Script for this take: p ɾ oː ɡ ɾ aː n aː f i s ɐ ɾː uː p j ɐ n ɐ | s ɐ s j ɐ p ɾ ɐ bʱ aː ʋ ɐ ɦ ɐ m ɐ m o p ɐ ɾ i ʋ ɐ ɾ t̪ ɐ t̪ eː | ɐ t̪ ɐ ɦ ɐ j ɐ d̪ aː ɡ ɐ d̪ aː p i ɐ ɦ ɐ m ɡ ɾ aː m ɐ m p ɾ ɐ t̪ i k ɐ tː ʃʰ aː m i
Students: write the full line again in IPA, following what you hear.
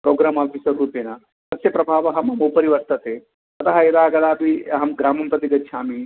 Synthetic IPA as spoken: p ɾ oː ɡ ɾ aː m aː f i s ɐ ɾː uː p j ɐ n ɐ | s ɐ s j ɐ p ɾ ɐ bʱ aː ʋ ɐ ɦ ɐ m ɐ m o p ɐ ɾ i ʋ ɐ ɾ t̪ ɐ t̪ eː | ɐ t̪ ɐ ɦ ɐ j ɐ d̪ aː ɡ ɐ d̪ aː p i ɐ ɦ ɐ m ɡ ɾ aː m ɐ m p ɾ ɐ t̪ i ɡ ɐ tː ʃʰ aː m i